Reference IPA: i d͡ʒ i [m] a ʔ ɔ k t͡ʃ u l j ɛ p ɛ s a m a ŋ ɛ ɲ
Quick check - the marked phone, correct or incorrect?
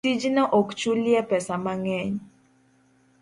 incorrect